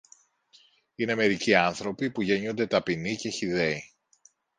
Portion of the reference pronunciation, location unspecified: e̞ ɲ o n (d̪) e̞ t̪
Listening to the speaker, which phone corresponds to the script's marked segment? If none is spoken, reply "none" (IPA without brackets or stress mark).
d̪